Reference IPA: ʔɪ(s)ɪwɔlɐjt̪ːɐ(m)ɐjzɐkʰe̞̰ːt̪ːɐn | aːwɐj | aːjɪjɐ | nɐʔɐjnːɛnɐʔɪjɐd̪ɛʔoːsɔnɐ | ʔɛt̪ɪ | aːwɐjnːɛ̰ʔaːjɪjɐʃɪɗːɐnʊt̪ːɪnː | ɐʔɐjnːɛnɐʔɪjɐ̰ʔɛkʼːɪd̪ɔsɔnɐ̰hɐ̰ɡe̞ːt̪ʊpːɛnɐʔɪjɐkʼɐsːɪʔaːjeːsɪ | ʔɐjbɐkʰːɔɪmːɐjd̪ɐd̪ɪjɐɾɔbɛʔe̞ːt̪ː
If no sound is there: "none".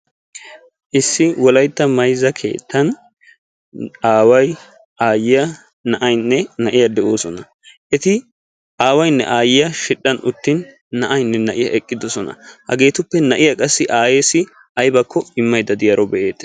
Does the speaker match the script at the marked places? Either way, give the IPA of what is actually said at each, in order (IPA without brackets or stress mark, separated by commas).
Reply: sː, m